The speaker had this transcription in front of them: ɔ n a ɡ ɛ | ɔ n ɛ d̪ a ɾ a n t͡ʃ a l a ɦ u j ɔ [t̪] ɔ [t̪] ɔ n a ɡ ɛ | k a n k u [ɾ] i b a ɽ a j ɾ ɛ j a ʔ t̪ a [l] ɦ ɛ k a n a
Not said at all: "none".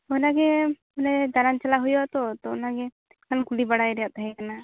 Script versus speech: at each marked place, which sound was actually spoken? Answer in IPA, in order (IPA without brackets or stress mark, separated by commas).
t̪, t̪, l, none